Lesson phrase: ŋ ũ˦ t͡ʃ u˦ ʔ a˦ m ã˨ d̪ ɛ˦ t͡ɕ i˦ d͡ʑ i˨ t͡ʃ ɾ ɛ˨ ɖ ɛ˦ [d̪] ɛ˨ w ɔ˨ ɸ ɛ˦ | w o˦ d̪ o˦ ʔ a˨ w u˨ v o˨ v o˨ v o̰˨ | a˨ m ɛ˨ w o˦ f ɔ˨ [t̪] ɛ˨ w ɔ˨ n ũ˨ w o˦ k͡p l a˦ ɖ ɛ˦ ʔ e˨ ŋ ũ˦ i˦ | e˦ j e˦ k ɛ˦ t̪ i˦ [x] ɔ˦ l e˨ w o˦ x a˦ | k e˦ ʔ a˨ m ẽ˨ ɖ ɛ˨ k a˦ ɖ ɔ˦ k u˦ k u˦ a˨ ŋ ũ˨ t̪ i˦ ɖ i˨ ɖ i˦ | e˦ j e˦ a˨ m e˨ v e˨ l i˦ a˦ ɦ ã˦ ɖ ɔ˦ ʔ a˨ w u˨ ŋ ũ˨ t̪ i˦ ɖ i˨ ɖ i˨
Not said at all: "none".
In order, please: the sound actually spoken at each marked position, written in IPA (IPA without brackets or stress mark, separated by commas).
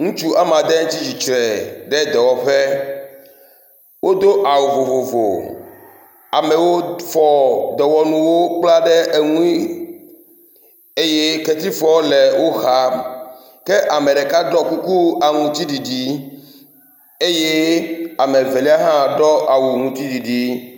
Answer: d̪, d̪, f